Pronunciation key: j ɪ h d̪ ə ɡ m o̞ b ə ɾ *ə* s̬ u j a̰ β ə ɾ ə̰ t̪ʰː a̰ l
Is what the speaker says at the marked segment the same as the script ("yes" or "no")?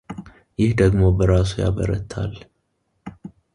no